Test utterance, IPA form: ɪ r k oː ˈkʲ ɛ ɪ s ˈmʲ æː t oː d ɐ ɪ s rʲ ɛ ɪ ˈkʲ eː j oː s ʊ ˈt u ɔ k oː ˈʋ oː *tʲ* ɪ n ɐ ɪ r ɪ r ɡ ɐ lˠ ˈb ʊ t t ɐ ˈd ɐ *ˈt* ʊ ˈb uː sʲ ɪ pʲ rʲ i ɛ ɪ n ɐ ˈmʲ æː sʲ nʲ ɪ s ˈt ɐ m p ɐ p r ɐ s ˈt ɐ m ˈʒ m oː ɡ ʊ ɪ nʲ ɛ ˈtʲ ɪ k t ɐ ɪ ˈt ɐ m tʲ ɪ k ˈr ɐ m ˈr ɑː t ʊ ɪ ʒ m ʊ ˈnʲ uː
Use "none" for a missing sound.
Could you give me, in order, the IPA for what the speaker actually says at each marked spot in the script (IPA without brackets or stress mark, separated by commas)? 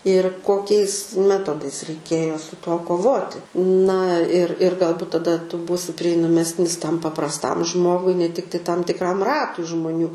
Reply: tʲ, t